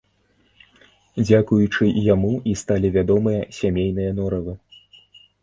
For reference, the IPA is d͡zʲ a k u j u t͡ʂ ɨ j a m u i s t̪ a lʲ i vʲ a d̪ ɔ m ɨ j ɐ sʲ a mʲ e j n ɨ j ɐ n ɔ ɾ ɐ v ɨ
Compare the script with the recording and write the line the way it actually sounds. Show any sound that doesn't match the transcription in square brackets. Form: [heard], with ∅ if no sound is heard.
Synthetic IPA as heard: d͡zʲ a k u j u t͡ʂ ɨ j a m u i s t̪ a lʲ i vʲ a d̪ ɔ m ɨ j ɐ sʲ a mʲ e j n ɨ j ɐ n ɔ ɾ ɐ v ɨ